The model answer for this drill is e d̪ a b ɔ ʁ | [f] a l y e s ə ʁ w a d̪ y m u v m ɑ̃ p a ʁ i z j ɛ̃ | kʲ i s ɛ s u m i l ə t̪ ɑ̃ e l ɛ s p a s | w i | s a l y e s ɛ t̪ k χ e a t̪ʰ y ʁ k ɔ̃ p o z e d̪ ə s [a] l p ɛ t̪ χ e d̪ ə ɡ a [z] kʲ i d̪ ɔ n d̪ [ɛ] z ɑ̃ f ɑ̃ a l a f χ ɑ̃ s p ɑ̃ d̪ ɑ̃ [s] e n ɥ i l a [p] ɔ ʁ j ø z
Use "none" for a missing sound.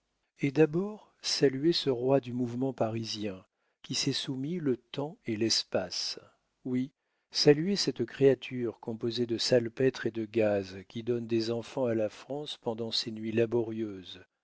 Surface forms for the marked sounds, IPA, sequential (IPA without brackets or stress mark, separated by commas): s, a, z, e, s, b